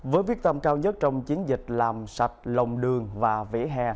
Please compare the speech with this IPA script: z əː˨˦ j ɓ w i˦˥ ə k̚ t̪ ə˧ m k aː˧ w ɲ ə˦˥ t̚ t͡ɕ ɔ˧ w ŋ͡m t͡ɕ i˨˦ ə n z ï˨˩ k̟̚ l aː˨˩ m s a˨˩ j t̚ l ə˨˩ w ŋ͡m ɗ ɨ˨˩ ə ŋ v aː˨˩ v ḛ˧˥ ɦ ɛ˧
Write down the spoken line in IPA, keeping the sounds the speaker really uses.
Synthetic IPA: v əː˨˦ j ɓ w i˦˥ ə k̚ t̪ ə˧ m k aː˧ w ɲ ə˦˥ t̚ t͡ɕ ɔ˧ w ŋ͡m t͡ɕ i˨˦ ə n z ï˨˩ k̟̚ l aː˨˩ m s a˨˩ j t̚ l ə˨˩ w ŋ͡m ɗ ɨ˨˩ ə ŋ v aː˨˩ v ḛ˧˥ ɦ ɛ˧

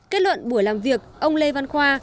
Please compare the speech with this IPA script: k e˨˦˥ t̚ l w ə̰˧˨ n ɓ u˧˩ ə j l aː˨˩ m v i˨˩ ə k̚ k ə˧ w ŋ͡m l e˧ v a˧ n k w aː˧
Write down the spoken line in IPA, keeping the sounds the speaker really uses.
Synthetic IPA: k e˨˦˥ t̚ l w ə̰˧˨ n ɓ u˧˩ ə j l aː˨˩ m v i˨˩ ə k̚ ʔ ə˧ w ŋ͡m l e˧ v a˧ n x w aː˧

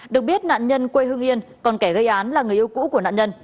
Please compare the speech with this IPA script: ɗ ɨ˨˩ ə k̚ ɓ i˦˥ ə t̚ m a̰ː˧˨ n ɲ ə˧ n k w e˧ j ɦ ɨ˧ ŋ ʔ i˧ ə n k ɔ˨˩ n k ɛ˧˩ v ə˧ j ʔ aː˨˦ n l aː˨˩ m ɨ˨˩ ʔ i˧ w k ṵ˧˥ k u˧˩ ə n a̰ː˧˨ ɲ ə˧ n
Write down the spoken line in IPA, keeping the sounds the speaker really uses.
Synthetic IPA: ɗ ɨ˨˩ ə k̚ ɓ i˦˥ ə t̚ n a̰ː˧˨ n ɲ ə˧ n k w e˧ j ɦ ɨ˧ ŋ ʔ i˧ ə n k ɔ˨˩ n k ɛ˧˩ ɣ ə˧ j ʔ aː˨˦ n l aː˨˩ ŋ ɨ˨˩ ʔ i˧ w k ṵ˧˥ k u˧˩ ə n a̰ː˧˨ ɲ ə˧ n

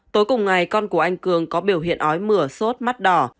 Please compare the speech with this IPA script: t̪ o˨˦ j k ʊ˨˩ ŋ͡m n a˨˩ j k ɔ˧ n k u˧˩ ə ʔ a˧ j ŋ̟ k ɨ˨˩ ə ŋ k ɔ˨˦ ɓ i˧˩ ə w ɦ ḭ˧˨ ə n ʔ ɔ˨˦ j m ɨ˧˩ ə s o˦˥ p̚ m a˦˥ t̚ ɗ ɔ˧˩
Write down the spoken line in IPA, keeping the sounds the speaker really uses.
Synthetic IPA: t̪ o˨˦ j k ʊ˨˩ ŋ͡m ŋ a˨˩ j k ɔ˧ n k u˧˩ ə ʔ a˧ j ŋ̟ k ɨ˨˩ ə ŋ k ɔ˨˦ ɓ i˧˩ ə w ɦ ḭ˧˨ ə n ʔ ɔ˨˦ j m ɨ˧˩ ə s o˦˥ t̚ m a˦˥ t̚ ɗ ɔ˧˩

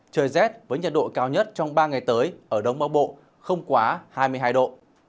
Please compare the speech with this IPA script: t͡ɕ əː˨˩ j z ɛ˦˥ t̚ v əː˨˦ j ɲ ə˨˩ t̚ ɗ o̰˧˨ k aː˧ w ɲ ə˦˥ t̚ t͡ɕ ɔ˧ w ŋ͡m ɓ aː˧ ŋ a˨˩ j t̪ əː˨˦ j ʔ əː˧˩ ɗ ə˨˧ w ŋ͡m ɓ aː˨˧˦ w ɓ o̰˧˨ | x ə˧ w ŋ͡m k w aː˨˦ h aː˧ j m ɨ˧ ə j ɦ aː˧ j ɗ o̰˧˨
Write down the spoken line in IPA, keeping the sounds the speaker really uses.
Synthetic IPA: t͡ɕ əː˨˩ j z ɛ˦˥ t̚ v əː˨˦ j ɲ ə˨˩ t̚ ɗ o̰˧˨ k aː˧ w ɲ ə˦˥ t̚ t͡ɕ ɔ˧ w ŋ͡m ɓ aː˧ ŋ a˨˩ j t̪ əː˨˦ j ʔ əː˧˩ ɗ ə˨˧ w ŋ͡m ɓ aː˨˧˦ w ɓ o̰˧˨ | x ə˧ w ŋ͡m k w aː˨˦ h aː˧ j m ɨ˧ ə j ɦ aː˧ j ɗ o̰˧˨

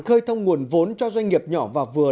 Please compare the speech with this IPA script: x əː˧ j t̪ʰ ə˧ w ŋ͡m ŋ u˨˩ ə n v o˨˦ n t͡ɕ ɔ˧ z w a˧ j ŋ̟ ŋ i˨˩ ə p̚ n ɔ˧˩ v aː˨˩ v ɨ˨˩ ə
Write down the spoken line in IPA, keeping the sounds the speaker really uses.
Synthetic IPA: x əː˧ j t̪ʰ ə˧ w ŋ͡m ŋ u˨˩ ə n v o˨˦ n t͡ɕ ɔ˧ z w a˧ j ŋ̟ ŋ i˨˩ ə p̚ ɲ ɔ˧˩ v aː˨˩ v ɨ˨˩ ə

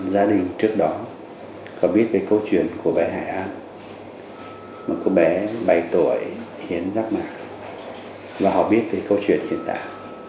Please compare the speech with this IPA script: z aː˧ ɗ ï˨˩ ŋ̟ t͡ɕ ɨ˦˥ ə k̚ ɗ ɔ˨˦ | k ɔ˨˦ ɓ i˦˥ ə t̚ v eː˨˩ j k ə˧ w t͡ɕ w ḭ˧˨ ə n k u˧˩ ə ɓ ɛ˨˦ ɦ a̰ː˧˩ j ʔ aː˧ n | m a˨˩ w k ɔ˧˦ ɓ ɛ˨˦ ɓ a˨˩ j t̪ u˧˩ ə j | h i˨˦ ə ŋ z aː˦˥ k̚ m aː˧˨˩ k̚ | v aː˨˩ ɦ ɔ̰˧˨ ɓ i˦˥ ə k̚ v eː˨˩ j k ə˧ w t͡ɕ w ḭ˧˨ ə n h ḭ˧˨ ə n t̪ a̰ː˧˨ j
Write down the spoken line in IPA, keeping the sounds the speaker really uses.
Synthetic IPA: z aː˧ ɗ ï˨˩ ŋ̟ t͡ɕ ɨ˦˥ ə k̚ ɗ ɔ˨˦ | k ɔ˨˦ ɓ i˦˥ ə t̚ v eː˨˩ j k ə˧ w t͡ɕ w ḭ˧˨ ə n k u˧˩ ə ɓ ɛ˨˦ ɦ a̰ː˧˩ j ʔ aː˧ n | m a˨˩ k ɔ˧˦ ɓ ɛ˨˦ ɓ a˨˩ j t̪ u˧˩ ə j | h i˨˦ ə n z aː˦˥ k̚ m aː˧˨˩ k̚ | v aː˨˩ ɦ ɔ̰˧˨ ɓ i˦˥ ə t̚ v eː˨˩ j k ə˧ w t͡ɕ w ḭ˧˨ ə n h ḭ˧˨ ə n t̪ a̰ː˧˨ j

